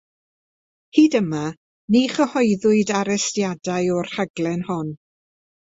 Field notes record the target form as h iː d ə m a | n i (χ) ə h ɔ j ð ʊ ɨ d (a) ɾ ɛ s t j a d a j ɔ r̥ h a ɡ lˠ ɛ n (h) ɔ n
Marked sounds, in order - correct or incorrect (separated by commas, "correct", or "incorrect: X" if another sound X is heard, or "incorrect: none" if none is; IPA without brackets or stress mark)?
correct, correct, correct